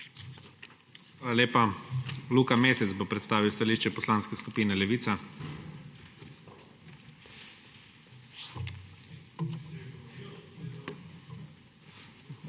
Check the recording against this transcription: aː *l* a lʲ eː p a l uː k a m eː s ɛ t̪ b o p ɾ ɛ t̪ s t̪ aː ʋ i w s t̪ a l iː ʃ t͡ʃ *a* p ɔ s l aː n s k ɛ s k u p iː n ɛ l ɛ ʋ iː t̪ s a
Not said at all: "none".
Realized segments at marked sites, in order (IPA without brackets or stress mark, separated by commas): l, ɛ